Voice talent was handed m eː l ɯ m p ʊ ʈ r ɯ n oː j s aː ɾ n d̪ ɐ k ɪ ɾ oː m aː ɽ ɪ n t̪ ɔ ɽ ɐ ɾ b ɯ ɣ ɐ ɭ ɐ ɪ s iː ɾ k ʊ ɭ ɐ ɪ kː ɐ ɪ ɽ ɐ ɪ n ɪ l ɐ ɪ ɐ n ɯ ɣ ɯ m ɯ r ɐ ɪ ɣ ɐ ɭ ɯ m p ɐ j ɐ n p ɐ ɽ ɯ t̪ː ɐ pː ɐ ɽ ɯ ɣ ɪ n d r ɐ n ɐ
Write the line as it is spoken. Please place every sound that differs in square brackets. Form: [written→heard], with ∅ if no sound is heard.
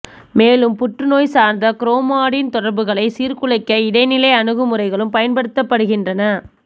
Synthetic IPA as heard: m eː l ɯ m p ʊ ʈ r ɯ n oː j s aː ɾ n d̪ ɐ k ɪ ɾ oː m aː ɽ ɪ n t̪ ɔ ɽ ɐ ɾ b ɯ ɣ ɐ ɭ ɐ ɪ s iː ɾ k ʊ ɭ ɐ ɪ kː ɐ ɪ ɽ ɐ ɪ n ɪ l ɐ ɪ ɐ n ɯ ɣ ɯ m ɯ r ɐ ɪ ɣ ɐ ɭ ɯ m p ɐ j ɐ n p ɐ ɽ ɯ t̪ː ɐ pː ɐ ɽ ɯ ɣ ɪ n d r ɐ n ɐ

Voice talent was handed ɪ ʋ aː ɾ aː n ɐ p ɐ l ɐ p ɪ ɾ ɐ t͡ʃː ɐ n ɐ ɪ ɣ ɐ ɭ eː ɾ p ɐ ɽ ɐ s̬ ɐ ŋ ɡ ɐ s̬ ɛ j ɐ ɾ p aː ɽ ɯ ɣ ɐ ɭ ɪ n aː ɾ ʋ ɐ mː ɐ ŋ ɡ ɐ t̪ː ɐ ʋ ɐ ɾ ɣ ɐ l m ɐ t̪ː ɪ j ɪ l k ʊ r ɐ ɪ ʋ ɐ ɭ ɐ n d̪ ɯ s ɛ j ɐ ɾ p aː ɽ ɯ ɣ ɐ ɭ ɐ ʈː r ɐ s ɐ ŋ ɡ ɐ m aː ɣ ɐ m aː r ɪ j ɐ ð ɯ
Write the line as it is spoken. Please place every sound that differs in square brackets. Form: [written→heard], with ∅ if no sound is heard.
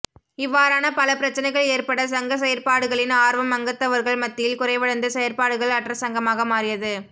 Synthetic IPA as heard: ɪ [ʋ→ʋː] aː ɾ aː n ɐ p ɐ l ɐ p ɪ ɾ ɐ t͡ʃː ɐ n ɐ ɪ ɣ ɐ ɭ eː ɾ p ɐ ɽ ɐ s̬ ɐ ŋ ɡ ɐ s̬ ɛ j ɐ ɾ p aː ɽ ɯ ɣ ɐ ɭ ɪ n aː ɾ ʋ ɐ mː ɐ ŋ ɡ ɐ t̪ː ɐ ʋ ɐ ɾ ɣ ɐ [l→ɭ] m ɐ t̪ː ɪ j ɪ l k ʊ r ɐ ɪ ʋ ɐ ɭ ɐ n d̪ ɯ s ɛ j ɐ ɾ p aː ɽ ɯ ɣ ɐ ɭ ɐ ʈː r ɐ s ɐ ŋ ɡ ɐ m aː ɣ ɐ m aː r ɪ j ɐ ð ɯ

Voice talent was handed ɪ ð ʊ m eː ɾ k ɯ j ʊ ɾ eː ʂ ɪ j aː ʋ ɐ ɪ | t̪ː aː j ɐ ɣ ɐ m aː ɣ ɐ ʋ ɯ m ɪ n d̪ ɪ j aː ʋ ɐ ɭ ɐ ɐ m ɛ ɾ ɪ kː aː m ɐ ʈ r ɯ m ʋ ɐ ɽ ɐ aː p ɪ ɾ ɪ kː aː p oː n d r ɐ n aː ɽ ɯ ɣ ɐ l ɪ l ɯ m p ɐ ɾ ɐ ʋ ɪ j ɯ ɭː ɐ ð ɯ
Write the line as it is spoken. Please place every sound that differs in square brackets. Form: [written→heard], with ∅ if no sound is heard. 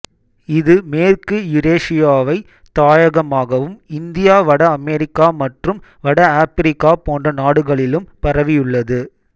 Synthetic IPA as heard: ɪ ð [ʊ→ɯ] m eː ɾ k ɯ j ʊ ɾ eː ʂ ɪ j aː ʋ ɐ ɪ | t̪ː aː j ɐ ɣ ɐ m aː ɣ ɐ ʋ ɯ m ɪ n d̪ ɪ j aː ʋ ɐ [ɭ→ɽ] ɐ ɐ m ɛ ɾ ɪ kː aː m ɐ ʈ r ɯ m ʋ ɐ ɽ ɐ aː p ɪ ɾ ɪ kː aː p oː n d r ɐ n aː ɽ ɯ ɣ ɐ [l→ɭ] ɪ l ɯ m p ɐ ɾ ɐ ʋ ɪ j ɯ ɭː ɐ ð ɯ

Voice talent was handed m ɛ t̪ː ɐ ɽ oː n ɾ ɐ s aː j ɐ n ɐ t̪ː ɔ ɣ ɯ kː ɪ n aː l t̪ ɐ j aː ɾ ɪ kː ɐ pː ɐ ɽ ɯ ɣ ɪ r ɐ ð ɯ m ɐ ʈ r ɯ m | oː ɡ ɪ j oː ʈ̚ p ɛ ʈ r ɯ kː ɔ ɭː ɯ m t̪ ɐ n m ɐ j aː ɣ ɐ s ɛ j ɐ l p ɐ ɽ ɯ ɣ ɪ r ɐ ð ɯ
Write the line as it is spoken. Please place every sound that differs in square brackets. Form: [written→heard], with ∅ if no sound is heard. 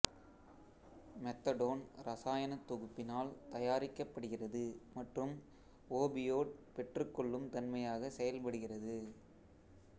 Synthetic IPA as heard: m ɛ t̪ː ɐ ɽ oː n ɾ ɐ s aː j ɐ n ɐ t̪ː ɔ ɣ ɯ [kː→pː] ɪ n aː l t̪ ɐ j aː ɾ ɪ kː ɐ pː ɐ ɽ ɯ ɣ ɪ r ɐ ð ɯ m ɐ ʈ r ɯ m | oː [ɡ→b] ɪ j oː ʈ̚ p ɛ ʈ r ɯ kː ɔ ɭː ɯ m t̪ ɐ n m ɐ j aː ɣ ɐ s ɛ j ɐ l p ɐ ɽ ɯ ɣ ɪ r ɐ ð ɯ

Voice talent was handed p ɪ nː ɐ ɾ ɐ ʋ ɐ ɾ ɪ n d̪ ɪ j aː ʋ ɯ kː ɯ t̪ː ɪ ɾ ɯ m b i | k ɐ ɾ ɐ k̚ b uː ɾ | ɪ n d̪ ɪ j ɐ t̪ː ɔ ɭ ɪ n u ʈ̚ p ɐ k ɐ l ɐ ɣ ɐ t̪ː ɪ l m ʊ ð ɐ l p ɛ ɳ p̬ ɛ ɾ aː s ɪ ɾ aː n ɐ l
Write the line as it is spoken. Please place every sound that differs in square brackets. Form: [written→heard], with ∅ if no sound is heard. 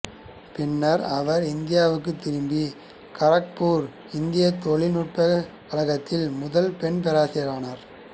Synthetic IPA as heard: p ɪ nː ɐ ɾ ɐ ʋ ɐ ɾ ɪ n d̪ ɪ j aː ʋ ɯ kː ɯ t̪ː ɪ ɾ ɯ m b i | k ɐ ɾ ɐ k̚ [b→p] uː ɾ | ɪ n d̪ ɪ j ɐ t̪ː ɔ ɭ ɪ n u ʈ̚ p ɐ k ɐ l ɐ ɣ ɐ t̪ː ɪ l m ʊ ð ɐ l p ɛ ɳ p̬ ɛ ɾ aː s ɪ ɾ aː n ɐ [l→ɾ]

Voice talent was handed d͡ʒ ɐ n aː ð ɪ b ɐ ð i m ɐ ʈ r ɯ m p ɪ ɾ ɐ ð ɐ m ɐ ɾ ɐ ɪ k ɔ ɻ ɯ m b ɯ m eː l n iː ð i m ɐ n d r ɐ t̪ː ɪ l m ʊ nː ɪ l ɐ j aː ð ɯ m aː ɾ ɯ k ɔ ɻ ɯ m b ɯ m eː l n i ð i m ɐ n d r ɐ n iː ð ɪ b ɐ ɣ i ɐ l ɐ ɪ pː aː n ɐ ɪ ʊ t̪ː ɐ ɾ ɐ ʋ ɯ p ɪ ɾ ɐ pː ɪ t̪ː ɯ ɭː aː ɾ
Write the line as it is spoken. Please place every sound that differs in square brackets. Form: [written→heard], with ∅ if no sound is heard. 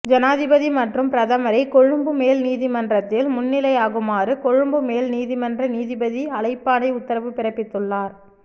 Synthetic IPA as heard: d͡ʒ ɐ n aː ð ɪ b ɐ ð i m ɐ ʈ r ɯ m p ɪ ɾ ɐ ð ɐ m ɐ ɾ ɐ ɪ k ɔ ɻ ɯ m b ɯ m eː l n iː ð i m ɐ n d r ɐ t̪ː ɪ l m ʊ nː ɪ l ɐ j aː [ð→ɣ] ɯ m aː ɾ ɯ k ɔ ɻ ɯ m b ɯ m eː l n [i→iː] ð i m ɐ n d r ɐ n iː ð ɪ b ɐ [ɣ→ð] i ɐ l ɐ ɪ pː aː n ɐ ɪ ʊ t̪ː ɐ ɾ ɐ ʋ ɯ p ɪ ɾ ɐ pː ɪ t̪ː ɯ ɭː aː ɾ

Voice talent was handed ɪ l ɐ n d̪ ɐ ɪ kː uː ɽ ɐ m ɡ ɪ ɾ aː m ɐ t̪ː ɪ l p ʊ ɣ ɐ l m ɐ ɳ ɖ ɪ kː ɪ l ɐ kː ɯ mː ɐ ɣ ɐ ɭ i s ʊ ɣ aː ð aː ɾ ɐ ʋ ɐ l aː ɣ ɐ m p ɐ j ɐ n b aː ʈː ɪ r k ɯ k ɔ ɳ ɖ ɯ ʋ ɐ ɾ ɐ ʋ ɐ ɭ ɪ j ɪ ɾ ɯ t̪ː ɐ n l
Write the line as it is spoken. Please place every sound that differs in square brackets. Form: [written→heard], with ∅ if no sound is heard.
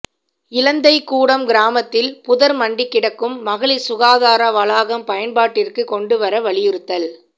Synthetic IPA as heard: ɪ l ɐ n d̪ ɐ ɪ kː uː ɽ ɐ m ɡ ɪ ɾ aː m ɐ t̪ː ɪ l p ʊ [ɣ→ð] ɐ [l→ɾ] m ɐ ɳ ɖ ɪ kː ɪ [l→ɽ] ɐ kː ɯ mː ɐ ɣ ɐ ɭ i s ʊ ɣ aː ð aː ɾ ɐ ʋ ɐ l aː ɣ ɐ m p ɐ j ɐ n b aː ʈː ɪ r k ɯ k ɔ ɳ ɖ ɯ ʋ ɐ ɾ ɐ ʋ ɐ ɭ ɪ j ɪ ɾ ɯ t̪ː ɐ [n→∅] l

